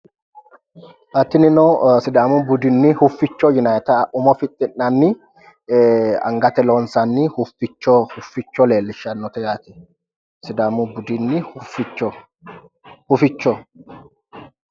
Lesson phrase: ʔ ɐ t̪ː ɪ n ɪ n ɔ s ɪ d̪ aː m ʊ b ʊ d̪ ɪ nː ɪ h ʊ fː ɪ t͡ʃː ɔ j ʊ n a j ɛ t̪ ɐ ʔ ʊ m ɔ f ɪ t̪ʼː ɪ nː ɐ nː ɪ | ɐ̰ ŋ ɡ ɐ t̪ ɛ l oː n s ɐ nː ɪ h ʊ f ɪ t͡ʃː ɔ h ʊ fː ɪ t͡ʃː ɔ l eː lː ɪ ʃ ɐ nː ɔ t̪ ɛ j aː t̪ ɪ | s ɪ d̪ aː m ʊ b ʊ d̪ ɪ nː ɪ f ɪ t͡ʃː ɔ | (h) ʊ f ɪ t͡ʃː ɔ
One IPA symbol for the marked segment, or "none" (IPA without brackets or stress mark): h